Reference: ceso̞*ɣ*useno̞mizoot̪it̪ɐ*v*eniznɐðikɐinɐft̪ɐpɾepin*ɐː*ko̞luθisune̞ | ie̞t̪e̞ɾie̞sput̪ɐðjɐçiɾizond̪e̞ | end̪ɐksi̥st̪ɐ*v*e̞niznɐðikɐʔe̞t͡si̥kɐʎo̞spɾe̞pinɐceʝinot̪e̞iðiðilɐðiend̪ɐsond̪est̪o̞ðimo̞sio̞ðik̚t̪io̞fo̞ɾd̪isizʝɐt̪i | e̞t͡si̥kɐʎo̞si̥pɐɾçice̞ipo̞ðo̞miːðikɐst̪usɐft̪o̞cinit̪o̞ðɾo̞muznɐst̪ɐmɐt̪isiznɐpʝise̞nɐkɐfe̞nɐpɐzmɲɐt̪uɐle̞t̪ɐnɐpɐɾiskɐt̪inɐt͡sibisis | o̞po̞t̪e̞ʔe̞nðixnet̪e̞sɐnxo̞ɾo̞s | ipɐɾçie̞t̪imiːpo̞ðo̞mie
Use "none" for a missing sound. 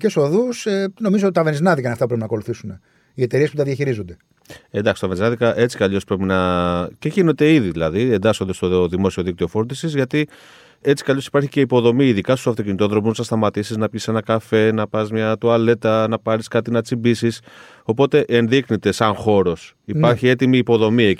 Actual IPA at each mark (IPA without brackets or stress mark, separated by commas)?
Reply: ð, v, ɐ, v